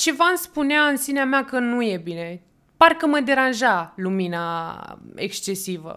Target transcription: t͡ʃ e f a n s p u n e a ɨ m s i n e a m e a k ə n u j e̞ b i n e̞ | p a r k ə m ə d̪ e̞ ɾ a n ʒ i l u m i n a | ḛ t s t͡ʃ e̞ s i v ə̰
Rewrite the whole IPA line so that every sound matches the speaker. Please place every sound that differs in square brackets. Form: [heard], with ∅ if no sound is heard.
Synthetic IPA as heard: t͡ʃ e [v] a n s p u n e a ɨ [n] s i n e a m e a k ə n u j e̞ b i n e̞ | p a r k ə m ə d̪ e̞ ɾ a n ʒ [a] l u m i n a | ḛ [k] s t͡ʃ e̞ s i v ə̰